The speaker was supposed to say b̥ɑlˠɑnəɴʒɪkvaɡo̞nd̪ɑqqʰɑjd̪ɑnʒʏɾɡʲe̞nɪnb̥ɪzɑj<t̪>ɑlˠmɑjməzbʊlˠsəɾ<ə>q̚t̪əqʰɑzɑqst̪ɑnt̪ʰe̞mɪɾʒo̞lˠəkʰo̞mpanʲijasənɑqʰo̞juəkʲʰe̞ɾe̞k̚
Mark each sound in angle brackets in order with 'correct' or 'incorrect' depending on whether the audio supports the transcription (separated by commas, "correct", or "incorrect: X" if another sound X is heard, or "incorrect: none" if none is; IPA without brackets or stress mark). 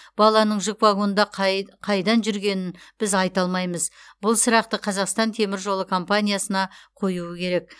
correct, incorrect: ɑ